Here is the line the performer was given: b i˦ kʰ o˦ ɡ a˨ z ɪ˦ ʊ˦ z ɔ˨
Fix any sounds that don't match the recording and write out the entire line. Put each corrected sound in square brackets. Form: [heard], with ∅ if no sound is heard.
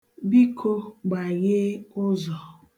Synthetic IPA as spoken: b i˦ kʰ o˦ [ɡ͡b] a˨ [ɣ] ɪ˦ ʊ˦ z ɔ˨